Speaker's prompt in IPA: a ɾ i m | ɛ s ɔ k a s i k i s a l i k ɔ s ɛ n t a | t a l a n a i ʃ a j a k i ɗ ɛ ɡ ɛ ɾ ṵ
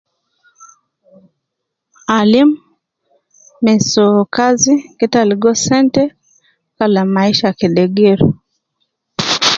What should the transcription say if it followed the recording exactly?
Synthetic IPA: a l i m | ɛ s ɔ k a z i k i t a l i ɡ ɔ s ɛ n t ɛ | k a l a m a i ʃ a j a k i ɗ ɛ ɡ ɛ ɾ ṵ